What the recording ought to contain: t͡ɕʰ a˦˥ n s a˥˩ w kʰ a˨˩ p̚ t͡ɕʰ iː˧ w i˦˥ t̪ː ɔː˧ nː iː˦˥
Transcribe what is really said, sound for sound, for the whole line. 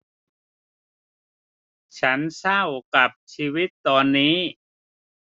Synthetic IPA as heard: t͡ɕʰ a˦˥ n s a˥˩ w k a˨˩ p̚ t͡ɕʰ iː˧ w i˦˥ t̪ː ɔː˧ nː iː˦˥